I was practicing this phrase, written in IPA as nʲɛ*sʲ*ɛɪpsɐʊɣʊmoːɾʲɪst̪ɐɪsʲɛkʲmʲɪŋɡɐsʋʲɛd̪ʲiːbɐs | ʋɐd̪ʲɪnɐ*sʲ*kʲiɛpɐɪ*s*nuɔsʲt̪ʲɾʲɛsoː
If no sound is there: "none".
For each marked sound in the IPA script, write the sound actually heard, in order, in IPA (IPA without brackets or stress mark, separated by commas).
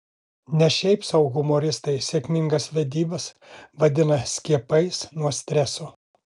ʃʲ, sʲ, s